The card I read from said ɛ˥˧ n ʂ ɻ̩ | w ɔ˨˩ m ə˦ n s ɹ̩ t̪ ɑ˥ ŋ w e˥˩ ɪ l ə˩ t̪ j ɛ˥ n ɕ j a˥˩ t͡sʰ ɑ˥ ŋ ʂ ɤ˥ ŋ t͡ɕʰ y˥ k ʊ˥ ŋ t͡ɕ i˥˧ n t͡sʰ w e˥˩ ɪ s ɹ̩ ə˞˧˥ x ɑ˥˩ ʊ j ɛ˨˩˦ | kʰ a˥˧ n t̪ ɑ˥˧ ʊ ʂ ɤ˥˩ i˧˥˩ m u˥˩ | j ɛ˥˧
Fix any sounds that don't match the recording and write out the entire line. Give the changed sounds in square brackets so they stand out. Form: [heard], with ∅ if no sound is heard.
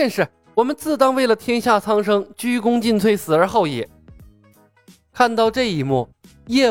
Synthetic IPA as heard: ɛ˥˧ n ʂ ɻ̩ | w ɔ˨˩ m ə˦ n [t͡s] ɹ̩ t̪ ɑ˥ ŋ w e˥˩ ɪ l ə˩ [t̪ʰ] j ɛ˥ n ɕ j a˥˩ t͡sʰ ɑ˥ ŋ ʂ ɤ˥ ŋ [t͡ɕ] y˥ k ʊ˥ ŋ t͡ɕ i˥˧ n t͡sʰ w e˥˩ ɪ s ɹ̩ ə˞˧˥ x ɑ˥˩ ʊ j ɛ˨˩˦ | kʰ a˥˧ n t̪ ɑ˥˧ ʊ [ʈ͡ʂ] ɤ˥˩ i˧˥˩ m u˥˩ | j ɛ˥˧